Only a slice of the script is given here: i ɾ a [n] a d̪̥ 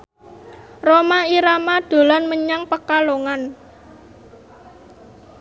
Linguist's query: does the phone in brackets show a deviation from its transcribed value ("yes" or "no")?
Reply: yes